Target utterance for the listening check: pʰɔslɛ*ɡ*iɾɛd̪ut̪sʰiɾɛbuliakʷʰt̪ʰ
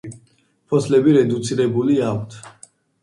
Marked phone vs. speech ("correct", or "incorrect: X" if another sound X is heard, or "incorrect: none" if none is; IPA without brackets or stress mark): incorrect: b